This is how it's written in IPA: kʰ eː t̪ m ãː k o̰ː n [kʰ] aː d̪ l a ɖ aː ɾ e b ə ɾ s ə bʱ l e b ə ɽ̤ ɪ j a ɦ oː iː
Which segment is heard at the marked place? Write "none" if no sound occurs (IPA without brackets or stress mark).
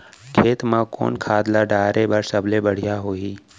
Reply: kʰ